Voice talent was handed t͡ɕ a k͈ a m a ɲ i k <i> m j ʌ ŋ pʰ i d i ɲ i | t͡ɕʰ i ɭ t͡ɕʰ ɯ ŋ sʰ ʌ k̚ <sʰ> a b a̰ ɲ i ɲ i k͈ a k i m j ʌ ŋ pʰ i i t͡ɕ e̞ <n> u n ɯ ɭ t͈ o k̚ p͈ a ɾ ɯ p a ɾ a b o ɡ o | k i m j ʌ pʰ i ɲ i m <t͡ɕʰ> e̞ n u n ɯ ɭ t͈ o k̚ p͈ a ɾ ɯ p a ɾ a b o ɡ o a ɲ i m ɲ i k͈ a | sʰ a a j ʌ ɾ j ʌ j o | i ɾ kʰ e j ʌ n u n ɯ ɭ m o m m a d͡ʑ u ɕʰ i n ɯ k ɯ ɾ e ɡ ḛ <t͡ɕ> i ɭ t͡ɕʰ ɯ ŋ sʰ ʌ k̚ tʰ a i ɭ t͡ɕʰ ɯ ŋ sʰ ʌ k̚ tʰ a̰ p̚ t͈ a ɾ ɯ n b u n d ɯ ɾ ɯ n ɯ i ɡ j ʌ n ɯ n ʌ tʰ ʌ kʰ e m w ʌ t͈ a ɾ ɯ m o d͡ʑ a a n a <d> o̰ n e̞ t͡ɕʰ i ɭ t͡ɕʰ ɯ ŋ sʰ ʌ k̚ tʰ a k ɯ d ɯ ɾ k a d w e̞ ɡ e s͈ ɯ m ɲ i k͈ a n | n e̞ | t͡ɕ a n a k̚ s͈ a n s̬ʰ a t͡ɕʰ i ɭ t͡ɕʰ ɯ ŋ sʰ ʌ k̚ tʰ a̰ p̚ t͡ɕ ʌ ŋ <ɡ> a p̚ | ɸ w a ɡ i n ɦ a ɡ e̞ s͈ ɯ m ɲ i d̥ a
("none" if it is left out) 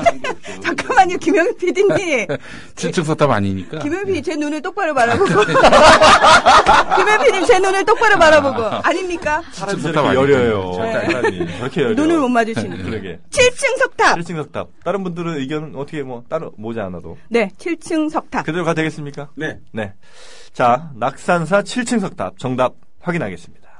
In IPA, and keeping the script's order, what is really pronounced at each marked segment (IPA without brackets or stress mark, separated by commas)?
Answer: i, tʰ, n, t͡ɕ, t͡ɕʰ, d, d